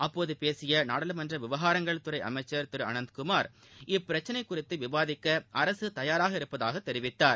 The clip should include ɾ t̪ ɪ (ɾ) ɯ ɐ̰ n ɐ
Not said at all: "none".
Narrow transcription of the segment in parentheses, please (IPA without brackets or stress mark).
ɾ